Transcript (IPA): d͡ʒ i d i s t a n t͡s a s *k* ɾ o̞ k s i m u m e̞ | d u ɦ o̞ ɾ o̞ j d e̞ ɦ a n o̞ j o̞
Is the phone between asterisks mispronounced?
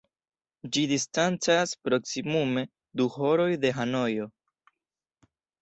yes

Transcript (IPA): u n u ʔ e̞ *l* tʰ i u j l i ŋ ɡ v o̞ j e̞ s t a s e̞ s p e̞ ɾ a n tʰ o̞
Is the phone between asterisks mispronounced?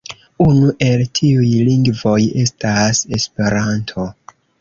no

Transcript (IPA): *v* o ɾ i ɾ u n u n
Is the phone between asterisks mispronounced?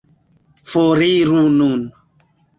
yes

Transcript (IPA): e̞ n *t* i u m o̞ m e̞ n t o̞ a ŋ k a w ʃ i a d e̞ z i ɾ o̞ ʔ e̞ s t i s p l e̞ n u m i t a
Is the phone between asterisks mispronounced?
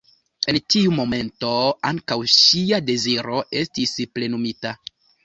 no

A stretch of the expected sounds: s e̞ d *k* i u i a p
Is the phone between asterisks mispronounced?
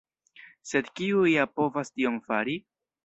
no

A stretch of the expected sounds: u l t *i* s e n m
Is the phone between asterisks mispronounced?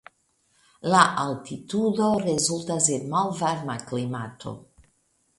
yes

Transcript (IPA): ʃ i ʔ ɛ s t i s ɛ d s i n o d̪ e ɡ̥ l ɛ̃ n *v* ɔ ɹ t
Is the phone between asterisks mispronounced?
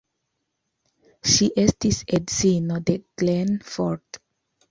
yes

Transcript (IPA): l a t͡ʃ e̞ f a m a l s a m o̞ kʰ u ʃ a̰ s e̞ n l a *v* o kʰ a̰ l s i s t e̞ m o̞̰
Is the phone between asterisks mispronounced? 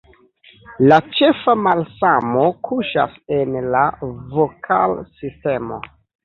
no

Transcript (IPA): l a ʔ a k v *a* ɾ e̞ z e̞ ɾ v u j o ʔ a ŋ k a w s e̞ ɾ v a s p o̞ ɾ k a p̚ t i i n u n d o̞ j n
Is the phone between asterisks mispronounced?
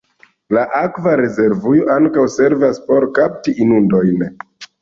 no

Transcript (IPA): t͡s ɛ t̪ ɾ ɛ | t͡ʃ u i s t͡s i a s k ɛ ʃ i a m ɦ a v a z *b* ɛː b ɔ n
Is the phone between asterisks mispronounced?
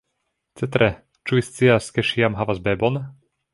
no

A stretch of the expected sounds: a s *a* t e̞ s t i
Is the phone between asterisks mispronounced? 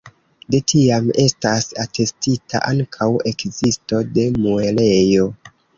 no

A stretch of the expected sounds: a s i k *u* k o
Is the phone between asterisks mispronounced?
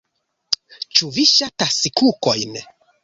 no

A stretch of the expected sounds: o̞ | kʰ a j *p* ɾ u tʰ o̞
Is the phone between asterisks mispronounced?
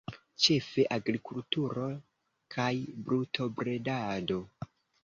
yes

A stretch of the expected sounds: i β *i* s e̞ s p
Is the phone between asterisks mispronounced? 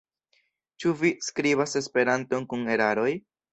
yes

